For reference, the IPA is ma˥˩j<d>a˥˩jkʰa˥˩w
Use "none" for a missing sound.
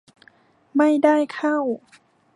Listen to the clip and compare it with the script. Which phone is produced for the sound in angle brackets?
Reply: d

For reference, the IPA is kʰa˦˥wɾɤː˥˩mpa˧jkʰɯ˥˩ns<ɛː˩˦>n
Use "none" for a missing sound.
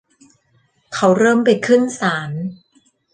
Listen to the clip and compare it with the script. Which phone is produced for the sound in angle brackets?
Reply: aː˩˦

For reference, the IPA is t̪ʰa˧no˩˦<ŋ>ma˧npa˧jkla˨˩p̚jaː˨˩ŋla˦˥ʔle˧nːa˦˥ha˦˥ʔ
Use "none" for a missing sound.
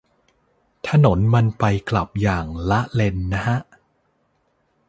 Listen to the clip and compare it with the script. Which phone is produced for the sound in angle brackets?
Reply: n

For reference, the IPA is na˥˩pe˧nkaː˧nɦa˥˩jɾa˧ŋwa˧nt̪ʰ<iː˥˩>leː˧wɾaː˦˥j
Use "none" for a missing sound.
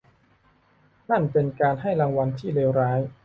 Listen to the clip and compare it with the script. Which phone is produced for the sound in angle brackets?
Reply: iː˥˩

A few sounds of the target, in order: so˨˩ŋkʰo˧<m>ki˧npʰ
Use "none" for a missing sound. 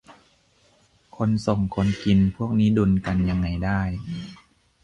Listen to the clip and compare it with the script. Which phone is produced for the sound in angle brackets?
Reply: n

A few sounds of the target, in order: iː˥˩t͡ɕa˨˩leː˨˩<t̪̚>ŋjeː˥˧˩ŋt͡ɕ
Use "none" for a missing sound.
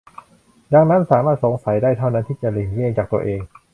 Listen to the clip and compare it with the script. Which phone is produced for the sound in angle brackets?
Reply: none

